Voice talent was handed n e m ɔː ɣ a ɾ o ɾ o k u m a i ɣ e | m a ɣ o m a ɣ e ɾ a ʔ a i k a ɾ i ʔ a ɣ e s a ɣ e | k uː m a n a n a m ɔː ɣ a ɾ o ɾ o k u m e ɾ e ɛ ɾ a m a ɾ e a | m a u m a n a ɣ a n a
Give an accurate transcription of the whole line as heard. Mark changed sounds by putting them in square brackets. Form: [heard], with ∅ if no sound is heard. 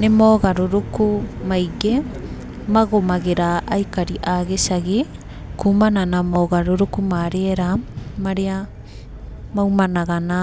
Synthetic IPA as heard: n e m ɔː ɣ a ɾ o ɾ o k u m a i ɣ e | m a ɣ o m a ɣ e ɾ a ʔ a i k a ɾ i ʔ a ɣ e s a ɣ e | k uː m a n a n a m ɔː ɣ a ɾ o ɾ o k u m [a] ɾ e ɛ ɾ a m a ɾ e a | m a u m a n a ɣ a n a